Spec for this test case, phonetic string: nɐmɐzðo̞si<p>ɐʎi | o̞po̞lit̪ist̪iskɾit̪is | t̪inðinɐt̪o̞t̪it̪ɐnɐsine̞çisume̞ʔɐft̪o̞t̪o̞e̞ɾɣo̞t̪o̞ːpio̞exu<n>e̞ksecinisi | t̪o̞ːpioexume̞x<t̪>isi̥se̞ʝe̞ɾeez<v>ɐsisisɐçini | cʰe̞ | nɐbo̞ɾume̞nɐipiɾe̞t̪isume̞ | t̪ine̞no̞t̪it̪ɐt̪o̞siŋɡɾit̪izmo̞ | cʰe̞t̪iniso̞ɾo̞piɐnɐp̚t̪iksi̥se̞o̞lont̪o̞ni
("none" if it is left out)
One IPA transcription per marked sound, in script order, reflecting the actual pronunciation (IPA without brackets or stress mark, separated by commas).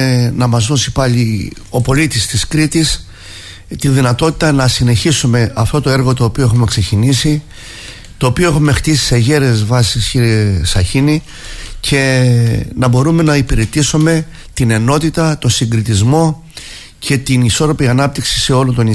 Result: p, m, t̪, v